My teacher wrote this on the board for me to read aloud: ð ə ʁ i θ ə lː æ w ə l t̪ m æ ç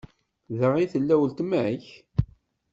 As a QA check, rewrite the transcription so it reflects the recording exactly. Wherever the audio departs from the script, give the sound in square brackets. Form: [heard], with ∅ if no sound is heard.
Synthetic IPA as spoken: ð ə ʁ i θ ə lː æ w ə l t̪ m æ ç